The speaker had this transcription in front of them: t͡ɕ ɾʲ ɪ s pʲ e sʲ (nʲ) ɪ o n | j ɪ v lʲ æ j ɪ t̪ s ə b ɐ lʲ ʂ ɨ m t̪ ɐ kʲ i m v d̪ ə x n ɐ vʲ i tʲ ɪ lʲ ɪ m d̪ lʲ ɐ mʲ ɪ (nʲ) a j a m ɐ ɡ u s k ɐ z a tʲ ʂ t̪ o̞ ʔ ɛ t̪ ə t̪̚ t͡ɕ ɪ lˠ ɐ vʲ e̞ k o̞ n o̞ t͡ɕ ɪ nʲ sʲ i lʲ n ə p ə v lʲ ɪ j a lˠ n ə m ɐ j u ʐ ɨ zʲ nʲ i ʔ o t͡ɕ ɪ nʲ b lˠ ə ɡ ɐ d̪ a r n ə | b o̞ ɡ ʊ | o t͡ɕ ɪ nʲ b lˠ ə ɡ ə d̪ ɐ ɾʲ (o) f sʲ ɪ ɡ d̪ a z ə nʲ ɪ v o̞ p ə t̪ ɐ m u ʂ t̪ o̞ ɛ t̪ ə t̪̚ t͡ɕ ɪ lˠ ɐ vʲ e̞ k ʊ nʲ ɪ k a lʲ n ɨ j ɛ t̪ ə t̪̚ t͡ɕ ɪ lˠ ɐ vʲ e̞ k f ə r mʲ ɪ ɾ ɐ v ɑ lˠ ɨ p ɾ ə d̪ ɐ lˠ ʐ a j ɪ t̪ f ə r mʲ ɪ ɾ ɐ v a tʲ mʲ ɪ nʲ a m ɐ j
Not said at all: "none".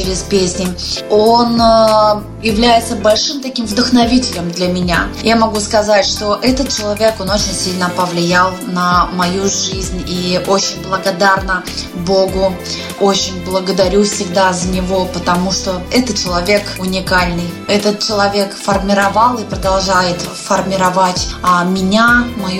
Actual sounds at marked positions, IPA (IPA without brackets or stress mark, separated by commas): nʲ, nʲ, u